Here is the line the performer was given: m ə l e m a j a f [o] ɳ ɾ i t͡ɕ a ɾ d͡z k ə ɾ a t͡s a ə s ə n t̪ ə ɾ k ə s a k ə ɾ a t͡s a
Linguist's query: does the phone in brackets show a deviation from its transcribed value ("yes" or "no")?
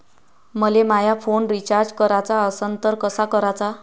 no